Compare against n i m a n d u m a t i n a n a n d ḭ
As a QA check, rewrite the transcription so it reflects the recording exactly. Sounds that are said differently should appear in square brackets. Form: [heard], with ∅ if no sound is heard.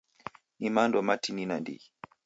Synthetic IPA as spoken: n i m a n d [ɔ] m a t i n [i] n a n d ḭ